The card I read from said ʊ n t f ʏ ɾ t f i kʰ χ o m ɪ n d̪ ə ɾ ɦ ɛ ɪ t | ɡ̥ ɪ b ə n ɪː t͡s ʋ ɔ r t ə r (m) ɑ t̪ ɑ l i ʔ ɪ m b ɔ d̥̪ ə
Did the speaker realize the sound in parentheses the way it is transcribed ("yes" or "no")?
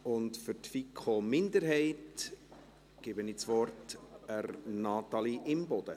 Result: no